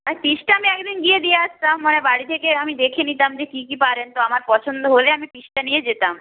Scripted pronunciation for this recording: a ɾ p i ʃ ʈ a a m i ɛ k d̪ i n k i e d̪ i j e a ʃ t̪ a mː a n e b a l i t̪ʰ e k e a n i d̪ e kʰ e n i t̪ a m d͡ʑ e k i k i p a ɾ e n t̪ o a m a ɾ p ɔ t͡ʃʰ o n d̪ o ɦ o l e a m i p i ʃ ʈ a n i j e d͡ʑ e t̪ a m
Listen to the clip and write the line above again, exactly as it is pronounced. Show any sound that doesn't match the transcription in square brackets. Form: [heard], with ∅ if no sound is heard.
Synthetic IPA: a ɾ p i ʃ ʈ a a m i ɛ k d̪ i n [ɡ] i e d̪ i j e a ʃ t̪ a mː a n e b a [ɽ] i t̪ʰ e k e a [m] i d̪ e kʰ e n i t̪ a m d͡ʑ e k i k i p a ɾ e n t̪ o a m a ɾ p ɔ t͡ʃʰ o n d̪ o ɦ o l e a m i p i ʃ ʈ a n i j e d͡ʑ e t̪ a m